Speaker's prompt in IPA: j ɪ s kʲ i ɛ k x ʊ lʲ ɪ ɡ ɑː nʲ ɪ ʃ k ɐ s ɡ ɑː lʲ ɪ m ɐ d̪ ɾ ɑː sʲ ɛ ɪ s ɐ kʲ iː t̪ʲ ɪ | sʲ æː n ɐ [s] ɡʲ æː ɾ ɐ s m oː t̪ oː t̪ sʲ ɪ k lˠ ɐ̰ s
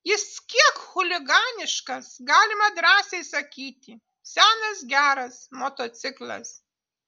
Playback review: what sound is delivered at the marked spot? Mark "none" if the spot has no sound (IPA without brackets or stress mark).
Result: s